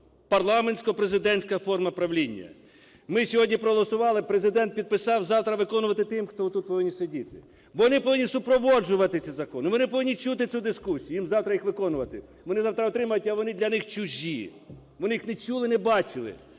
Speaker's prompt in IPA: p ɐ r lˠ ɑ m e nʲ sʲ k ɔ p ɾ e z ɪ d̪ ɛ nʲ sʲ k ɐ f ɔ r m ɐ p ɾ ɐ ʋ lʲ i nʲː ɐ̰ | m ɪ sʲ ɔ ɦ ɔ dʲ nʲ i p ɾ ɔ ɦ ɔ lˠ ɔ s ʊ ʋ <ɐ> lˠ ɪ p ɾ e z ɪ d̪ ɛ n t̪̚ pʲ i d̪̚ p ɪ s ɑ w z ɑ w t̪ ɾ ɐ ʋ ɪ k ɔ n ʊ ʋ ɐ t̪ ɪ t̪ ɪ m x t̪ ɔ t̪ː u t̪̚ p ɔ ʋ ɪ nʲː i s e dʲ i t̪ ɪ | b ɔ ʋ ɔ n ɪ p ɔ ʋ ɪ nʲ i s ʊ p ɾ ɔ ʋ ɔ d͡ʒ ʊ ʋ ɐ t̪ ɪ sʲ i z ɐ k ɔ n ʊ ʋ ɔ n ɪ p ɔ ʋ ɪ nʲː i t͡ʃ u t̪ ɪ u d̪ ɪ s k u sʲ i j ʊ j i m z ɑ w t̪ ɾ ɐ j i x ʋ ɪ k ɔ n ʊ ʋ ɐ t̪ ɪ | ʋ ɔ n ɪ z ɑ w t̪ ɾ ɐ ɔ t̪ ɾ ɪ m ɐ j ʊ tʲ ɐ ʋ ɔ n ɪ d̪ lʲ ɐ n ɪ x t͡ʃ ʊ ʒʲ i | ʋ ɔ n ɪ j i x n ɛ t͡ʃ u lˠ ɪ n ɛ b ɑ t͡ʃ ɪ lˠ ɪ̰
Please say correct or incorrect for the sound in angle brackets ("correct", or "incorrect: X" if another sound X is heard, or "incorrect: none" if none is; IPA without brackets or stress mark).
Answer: incorrect: ɑ